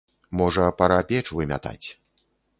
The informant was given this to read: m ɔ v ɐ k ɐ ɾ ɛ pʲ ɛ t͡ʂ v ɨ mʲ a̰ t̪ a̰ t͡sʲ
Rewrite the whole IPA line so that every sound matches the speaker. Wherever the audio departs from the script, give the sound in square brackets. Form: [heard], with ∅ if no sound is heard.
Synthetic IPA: m ɔ [ʐ] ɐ [p] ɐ ɾ [a] pʲ ɛ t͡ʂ v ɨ mʲ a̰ t̪ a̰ t͡sʲ